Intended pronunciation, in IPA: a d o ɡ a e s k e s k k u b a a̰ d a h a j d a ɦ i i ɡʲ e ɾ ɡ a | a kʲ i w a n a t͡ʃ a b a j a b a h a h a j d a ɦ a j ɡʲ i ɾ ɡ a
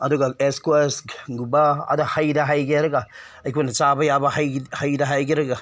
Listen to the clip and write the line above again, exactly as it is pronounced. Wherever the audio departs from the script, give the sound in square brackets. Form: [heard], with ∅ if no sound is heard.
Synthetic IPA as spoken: a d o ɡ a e s k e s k [ɡ] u b a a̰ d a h a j d a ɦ [a] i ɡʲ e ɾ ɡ a | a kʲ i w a n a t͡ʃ a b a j a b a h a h a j d a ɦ a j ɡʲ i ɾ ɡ a